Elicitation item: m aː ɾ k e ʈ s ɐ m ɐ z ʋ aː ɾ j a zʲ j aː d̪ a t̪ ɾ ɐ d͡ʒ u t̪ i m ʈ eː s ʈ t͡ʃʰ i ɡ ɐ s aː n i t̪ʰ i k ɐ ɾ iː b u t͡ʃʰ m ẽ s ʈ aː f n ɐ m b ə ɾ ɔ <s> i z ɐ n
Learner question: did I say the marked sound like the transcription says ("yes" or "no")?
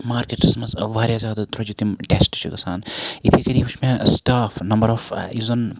no